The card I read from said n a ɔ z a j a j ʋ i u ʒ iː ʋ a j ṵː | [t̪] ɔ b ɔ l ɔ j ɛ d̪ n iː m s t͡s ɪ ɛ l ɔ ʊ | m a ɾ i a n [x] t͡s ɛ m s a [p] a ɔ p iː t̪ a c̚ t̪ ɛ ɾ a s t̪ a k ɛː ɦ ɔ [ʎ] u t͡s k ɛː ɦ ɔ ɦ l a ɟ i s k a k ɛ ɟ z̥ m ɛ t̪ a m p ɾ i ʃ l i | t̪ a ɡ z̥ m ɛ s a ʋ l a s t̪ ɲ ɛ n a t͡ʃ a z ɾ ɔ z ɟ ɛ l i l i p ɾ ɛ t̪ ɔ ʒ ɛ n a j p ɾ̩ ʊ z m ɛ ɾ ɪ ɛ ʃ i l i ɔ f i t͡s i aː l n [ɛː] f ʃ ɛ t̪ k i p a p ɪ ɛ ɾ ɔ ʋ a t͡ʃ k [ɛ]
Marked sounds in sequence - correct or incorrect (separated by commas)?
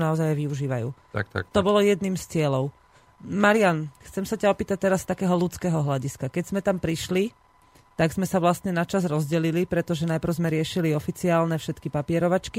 correct, correct, incorrect, incorrect, incorrect, incorrect